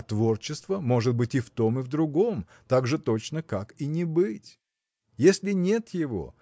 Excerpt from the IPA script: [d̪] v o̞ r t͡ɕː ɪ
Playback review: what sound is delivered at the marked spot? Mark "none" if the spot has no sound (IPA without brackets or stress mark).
t̪